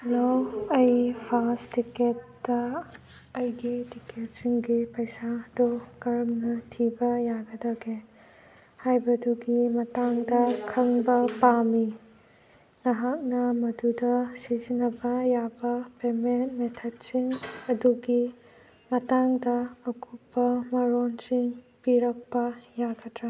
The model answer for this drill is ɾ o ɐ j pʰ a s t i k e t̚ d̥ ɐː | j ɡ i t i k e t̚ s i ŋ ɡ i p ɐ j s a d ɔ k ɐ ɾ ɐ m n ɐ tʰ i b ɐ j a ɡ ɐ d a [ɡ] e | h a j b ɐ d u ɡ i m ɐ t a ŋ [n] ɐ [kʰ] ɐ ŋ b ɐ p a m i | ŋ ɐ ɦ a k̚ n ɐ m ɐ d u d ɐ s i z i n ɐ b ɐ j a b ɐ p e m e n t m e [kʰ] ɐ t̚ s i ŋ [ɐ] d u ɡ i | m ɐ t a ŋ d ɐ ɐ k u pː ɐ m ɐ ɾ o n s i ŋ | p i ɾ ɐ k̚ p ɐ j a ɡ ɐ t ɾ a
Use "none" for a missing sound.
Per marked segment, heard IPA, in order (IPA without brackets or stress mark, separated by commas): ɡ, d, kʰ, tʰ, ɐ